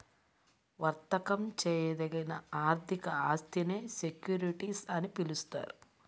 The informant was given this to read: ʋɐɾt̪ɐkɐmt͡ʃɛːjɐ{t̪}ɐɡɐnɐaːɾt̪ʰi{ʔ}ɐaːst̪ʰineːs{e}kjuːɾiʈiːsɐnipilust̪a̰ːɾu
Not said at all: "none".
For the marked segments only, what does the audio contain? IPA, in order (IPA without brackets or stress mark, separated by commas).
d̪, k, e